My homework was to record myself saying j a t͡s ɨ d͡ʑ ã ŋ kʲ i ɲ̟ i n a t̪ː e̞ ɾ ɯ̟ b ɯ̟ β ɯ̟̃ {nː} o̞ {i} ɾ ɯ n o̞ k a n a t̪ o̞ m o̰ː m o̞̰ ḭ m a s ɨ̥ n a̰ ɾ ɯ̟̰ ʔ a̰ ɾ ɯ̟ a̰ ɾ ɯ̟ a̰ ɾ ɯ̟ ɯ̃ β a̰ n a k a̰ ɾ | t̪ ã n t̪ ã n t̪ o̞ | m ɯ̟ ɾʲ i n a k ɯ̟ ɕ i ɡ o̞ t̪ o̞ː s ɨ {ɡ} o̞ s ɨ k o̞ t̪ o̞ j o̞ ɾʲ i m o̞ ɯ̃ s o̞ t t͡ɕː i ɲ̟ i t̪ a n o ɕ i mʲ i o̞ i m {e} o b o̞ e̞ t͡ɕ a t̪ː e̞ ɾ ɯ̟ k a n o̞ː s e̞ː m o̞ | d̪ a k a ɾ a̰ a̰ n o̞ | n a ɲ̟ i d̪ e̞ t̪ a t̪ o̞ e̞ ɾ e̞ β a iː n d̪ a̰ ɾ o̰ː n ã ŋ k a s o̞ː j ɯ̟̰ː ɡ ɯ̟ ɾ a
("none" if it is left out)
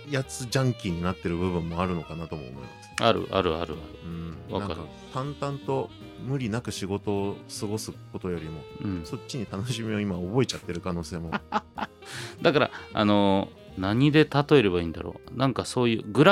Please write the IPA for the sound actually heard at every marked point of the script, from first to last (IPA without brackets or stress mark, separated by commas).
mː, a, ɡ, a